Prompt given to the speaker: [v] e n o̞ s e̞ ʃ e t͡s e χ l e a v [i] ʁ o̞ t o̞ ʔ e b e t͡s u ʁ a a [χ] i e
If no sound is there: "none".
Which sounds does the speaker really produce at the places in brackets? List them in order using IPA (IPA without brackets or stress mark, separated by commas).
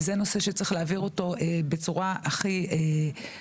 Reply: z, i, χ